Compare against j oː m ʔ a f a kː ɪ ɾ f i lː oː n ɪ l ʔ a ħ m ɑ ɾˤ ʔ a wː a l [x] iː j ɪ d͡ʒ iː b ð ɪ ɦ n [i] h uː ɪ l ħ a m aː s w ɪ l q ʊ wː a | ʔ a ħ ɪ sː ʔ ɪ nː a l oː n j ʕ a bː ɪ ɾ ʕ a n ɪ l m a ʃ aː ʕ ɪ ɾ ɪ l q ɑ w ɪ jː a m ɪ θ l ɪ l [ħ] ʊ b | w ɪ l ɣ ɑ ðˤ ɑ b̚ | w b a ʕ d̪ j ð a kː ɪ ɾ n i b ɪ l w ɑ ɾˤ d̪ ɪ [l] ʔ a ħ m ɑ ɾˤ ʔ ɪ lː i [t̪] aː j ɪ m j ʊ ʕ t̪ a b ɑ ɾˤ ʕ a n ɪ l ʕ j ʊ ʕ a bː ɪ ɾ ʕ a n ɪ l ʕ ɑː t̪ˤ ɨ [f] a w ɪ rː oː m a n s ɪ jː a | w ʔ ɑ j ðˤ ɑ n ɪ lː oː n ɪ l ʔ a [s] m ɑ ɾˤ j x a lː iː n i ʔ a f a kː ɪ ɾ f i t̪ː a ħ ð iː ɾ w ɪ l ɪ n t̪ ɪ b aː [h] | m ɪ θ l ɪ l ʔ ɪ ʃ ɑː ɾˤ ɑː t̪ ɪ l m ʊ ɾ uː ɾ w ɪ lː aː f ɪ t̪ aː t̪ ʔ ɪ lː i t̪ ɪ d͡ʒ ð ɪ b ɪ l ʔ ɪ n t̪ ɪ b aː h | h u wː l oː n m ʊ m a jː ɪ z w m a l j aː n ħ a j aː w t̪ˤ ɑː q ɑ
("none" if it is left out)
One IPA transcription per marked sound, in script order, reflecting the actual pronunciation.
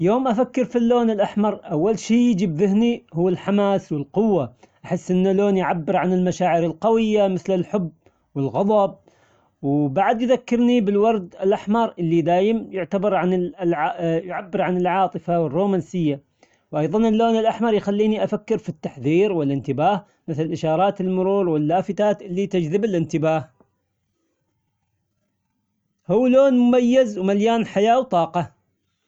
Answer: ʃ, i, ħ, l, d̪, f, ħ, h

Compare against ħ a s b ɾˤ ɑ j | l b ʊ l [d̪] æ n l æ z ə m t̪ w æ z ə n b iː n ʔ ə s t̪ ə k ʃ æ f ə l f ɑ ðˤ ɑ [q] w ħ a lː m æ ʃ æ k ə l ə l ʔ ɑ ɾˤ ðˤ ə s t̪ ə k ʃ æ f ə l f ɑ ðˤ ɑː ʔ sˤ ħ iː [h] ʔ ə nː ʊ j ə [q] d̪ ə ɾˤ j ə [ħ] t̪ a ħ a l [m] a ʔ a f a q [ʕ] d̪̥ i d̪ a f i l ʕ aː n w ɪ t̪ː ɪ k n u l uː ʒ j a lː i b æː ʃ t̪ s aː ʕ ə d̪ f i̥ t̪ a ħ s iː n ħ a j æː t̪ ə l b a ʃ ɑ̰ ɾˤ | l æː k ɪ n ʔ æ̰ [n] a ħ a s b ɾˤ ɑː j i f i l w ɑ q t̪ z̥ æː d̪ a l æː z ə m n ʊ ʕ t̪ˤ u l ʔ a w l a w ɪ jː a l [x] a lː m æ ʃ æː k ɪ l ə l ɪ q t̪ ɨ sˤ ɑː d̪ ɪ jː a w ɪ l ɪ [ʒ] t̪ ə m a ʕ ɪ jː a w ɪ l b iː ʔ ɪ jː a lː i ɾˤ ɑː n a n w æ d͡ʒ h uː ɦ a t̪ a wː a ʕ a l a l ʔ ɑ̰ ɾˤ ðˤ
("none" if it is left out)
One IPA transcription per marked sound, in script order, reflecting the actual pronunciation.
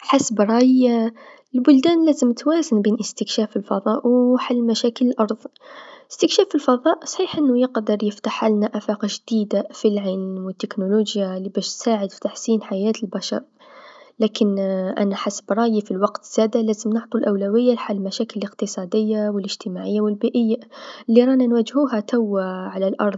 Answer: d̪, ʔ, ħ, q, f, n, ʒ, n, ħ, ʒ

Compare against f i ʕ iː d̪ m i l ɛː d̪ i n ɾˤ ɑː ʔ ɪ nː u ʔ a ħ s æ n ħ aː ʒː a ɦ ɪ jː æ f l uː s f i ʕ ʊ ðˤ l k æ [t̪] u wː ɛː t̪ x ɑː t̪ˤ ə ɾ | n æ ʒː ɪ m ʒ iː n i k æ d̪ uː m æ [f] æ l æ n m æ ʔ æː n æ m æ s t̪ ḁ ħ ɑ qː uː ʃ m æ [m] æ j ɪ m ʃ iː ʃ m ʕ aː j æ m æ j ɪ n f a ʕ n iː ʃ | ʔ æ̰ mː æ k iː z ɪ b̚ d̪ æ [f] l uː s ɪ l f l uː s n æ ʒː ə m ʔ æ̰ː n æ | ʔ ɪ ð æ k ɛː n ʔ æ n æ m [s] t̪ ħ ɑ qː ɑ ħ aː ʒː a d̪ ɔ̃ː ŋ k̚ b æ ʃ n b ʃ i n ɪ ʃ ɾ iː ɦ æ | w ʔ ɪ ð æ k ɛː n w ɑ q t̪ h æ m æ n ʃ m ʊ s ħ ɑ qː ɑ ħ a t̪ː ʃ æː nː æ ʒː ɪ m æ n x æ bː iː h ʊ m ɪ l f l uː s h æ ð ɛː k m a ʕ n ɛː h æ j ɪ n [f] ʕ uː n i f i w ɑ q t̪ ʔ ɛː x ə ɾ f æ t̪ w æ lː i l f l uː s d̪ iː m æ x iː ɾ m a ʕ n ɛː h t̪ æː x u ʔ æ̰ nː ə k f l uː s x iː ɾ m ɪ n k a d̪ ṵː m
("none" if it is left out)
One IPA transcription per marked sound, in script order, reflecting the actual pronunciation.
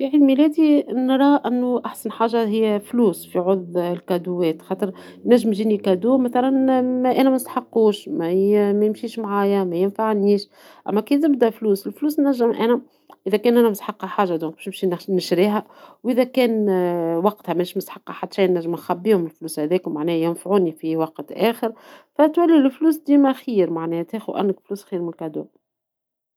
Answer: d̪, θ, m, f, s, f

